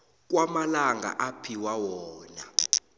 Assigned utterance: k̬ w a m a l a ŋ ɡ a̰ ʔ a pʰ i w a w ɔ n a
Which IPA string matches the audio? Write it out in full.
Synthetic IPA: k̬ w a m a l a ŋ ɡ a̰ ʔ a pʰ i w a w ɔː n a